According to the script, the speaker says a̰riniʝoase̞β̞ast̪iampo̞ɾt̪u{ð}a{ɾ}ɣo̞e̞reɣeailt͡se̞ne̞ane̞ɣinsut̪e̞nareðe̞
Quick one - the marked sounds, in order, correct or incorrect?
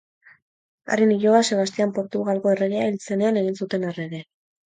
incorrect: ɣ, incorrect: l

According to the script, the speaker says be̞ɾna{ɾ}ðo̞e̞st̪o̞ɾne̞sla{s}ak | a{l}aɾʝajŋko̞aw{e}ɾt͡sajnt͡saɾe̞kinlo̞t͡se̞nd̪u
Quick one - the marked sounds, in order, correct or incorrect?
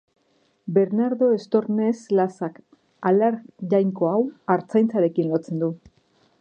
correct, correct, correct, incorrect: a

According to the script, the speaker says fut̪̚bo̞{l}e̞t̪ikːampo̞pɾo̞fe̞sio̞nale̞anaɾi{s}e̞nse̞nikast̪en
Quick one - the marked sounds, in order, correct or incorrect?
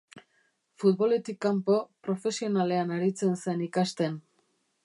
correct, incorrect: t͡s

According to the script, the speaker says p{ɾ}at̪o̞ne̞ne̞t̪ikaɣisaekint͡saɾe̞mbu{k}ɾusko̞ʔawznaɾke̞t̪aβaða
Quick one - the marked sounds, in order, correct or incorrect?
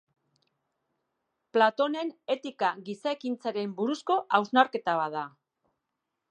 incorrect: l, incorrect: none

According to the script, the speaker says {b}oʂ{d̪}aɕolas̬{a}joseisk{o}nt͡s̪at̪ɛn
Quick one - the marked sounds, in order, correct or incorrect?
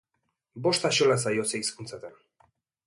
correct, incorrect: t̪, correct, incorrect: u

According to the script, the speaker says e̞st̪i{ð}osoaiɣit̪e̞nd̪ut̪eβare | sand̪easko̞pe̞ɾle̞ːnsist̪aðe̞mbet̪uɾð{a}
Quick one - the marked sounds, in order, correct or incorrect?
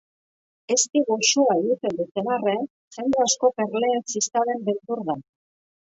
incorrect: ɣ, correct

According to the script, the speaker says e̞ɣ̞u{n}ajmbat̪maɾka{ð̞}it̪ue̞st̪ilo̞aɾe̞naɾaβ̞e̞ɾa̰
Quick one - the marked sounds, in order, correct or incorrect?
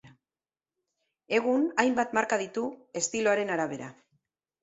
correct, correct

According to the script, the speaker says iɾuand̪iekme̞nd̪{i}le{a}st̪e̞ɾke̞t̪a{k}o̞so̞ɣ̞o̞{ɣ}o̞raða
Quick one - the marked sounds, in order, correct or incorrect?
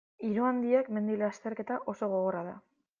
correct, correct, incorrect: ʔ, correct

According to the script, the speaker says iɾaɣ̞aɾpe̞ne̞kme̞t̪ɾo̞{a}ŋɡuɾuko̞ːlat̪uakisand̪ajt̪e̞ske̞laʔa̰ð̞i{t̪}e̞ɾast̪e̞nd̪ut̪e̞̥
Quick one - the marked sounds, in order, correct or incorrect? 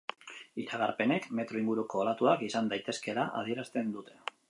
incorrect: i, incorrect: none

